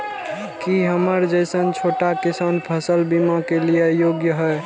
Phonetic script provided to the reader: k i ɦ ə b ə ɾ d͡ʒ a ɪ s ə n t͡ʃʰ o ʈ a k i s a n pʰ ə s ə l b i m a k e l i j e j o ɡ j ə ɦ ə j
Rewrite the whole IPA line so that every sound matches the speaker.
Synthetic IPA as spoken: k i ɦ ə m ə ɾ d͡ʒ ə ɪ s ə n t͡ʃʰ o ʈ a k i s a n pʰ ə s ə l b i m a k e l i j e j o ɡ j ə ɦ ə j

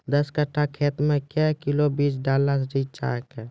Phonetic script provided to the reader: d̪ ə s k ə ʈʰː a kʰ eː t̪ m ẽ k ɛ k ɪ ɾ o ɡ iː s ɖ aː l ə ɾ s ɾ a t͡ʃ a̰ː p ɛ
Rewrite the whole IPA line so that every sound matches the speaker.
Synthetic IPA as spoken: d̪ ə s k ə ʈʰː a kʰ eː t̪ m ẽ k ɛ k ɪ l o b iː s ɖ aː l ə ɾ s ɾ i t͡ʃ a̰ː k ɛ

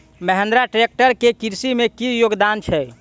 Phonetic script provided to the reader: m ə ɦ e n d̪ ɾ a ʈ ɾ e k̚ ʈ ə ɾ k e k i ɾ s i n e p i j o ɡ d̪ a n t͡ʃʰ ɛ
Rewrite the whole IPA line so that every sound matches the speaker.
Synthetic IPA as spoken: m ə ɦ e n d̪ ɾ a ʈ ɾ e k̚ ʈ ə ɾ k e k i ɾ s i m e k i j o ɡ d̪ a n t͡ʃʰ ɛ

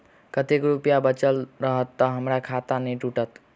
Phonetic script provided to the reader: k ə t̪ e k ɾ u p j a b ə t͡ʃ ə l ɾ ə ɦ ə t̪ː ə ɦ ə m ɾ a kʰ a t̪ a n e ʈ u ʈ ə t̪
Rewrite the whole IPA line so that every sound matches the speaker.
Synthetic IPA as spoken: k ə t̪ e k ɾ u p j a b ə t͡ʃ ə l ɾ ə ɦ ə t̪ː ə ɦ ə m ɾ a kʰ a t̪ a n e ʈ u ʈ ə t̪

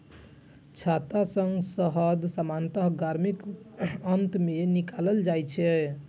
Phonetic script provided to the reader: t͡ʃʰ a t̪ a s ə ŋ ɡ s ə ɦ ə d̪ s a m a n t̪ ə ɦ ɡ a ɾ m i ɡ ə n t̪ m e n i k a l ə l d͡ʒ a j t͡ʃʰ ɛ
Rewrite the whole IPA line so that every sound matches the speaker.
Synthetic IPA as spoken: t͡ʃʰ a t̪ a s ə ŋ ɡ s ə ɦ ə d̪ s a m a n t̪ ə ɦ ɡ a ɾ m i k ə n t̪ m e n i k a l ə l d͡ʒ a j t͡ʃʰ ɛ

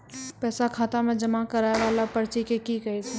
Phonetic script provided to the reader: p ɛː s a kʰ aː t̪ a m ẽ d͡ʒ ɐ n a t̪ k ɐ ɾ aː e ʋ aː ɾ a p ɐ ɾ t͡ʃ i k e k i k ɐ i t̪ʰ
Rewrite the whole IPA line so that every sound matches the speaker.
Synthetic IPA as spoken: p ɛː s a kʰ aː t̪ a m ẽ d͡ʒ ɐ m a k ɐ ɾ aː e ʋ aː l a p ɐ ɾ t͡ʃ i k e k i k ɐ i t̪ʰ

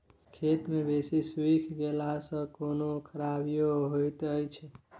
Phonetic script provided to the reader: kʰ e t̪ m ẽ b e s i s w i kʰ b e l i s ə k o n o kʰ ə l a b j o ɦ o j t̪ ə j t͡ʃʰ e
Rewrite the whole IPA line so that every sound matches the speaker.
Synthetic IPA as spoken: kʰ e t̪ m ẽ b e s i s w i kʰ ɡ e l a s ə k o n o kʰ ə ɾ a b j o ɦ o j t̪ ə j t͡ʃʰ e

